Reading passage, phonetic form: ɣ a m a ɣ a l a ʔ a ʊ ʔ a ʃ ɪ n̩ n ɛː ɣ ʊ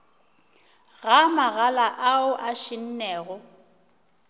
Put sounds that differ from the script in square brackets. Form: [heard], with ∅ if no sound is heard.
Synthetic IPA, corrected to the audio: ɣ a m a ɣ a l a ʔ a ʊ ʔ a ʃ ɪ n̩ n ɛː ɣ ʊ

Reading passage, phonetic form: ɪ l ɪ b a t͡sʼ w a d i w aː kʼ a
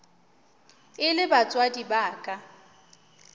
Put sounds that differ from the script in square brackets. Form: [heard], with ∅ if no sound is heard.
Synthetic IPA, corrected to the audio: ɪ l ɪ b a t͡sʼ w a d i [b] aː kʼ a

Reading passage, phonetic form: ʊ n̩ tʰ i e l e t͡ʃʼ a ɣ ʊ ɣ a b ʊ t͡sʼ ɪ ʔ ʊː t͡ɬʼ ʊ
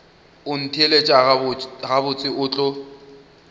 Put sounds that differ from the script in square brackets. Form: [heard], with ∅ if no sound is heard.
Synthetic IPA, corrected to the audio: ʊ n̩ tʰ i e l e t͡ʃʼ a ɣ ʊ ɣ a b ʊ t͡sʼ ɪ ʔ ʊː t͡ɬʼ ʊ

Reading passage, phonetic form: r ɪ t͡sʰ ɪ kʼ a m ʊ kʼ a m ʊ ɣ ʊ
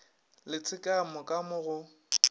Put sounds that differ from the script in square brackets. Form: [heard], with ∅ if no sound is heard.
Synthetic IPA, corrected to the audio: [l] ɪ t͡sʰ ɪ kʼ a m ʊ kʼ a m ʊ ɣ ʊ

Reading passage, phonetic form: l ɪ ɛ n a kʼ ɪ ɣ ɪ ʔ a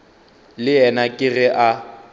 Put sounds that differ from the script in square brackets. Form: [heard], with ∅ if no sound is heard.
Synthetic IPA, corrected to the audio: l ɪ ɛ n a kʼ ɪ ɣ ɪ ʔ a

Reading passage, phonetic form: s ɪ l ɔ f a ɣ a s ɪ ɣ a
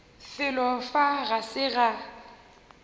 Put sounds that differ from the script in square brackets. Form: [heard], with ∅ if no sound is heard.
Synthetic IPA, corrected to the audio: [f] ɪ l ɔ f a ɣ a s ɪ ɣ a

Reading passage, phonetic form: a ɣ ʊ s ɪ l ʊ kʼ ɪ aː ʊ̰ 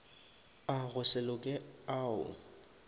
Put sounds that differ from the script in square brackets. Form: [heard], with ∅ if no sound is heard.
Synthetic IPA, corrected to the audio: a ɣ ʊ s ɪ l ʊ kʼ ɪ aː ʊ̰

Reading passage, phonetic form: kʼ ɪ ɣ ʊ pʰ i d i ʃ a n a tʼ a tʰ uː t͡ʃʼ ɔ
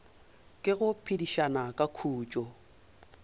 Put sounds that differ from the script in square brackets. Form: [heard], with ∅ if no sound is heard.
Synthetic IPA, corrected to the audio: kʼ ɪ ɣ ʊ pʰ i d i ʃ a n a [kʼ] a [kʰ] uː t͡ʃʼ ɔ

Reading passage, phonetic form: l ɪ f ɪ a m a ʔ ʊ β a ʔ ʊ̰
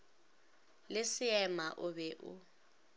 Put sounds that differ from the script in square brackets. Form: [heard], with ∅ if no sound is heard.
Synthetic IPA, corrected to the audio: l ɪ [s] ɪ [ɛ] m a ʔ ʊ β [ɛ] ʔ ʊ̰

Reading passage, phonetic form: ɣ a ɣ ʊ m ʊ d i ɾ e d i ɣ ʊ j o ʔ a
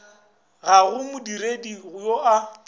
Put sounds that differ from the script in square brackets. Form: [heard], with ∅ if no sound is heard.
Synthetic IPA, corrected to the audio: ɣ a ɣ ʊ m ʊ d i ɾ e d i ɣ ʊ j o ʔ a

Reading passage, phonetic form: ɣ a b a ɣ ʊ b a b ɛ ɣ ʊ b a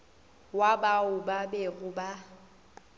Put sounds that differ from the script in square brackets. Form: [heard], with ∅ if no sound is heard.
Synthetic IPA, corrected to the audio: [w] a b a [∅] ʊ b a b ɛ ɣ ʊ b a

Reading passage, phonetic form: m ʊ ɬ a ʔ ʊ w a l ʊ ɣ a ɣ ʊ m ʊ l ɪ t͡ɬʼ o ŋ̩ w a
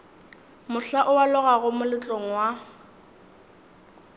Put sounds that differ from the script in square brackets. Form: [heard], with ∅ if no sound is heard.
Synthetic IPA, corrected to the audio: m ʊ ɬ a ʔ ʊ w a l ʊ ɣ a ɣ ʊ m ʊ l ɪ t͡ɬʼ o ŋ̩ w a

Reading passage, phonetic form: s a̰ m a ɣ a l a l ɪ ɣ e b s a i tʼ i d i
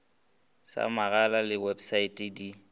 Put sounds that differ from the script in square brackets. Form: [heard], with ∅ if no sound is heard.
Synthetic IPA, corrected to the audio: s a̰ m a ɣ a l a l ɪ [w] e b s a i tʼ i d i

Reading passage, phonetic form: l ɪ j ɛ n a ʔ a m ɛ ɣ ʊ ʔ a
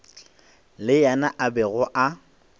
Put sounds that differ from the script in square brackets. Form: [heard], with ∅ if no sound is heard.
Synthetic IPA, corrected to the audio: l ɪ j [a] n a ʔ a [b] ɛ ɣ ʊ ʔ a

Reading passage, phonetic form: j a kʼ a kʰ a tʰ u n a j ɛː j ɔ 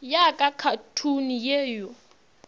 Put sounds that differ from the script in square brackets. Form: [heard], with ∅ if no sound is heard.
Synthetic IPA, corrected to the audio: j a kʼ a kʰ a tʰ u n [i] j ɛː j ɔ

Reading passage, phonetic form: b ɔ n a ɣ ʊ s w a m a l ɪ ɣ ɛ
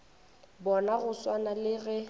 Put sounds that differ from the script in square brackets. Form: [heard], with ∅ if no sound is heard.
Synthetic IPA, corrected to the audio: b ɔ n a ɣ ʊ s w a [n] a l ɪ ɣ ɛ

